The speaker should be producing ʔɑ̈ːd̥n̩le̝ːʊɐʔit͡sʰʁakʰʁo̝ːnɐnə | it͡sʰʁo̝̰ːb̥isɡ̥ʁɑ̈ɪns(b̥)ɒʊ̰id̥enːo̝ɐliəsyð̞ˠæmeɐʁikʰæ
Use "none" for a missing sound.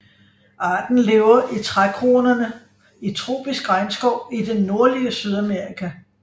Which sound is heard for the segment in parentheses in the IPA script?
ɡ̥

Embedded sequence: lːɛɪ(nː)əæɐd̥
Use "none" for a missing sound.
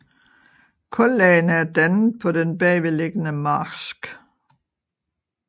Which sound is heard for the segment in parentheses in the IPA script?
n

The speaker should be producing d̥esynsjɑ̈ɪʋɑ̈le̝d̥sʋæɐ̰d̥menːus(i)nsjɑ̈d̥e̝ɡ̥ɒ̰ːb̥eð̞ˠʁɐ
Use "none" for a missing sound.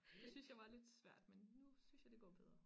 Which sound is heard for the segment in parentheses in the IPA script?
y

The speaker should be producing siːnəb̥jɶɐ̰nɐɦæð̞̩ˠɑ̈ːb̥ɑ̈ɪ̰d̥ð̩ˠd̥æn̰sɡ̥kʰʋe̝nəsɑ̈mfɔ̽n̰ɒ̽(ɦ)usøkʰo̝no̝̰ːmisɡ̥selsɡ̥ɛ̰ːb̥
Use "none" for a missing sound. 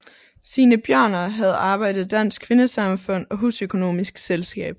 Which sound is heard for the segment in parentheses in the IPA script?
ɦ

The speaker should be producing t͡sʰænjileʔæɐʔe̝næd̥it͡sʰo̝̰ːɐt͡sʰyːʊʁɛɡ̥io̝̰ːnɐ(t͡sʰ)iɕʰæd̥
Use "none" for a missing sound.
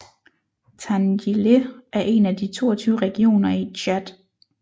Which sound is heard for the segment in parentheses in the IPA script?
none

